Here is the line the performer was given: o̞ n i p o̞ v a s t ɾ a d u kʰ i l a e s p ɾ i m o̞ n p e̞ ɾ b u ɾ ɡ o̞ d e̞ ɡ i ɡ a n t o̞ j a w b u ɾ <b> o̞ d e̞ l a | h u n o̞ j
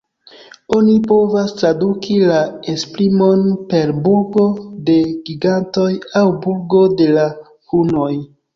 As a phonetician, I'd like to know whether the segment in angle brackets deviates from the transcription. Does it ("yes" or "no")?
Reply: yes